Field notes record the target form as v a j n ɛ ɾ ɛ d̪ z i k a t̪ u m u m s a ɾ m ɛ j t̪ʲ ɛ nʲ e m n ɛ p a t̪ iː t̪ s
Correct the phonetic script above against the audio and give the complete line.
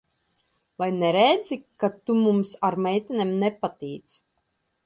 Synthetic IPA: v a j n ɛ ɾ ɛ d̪ z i k a t̪ u m u m s a ɾ m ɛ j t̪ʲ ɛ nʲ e m n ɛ p a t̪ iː t̪ s